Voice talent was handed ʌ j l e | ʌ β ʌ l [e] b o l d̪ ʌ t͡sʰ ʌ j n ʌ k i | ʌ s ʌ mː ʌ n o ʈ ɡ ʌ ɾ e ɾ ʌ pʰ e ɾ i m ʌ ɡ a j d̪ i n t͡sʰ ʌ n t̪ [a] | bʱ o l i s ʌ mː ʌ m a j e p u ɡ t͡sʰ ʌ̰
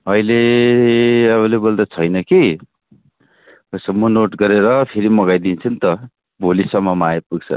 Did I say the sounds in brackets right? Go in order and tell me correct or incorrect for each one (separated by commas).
correct, incorrect